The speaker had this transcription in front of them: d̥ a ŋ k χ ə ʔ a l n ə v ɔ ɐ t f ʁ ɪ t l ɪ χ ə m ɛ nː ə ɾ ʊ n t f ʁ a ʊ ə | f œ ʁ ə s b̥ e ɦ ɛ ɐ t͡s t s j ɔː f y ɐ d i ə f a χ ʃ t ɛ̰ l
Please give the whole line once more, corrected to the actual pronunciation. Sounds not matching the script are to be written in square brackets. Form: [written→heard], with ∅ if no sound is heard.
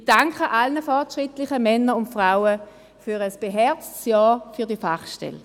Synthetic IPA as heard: d̥ a ŋ k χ ə ʔ a l n ə [v→f] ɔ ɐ t [f→ʃ] ʁ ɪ t l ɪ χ ə m ɛ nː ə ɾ ʊ n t f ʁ a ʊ ə | f [œ→y] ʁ ə s b̥ e ɦ ɛ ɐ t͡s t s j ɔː f y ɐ d i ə f a χ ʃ t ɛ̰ l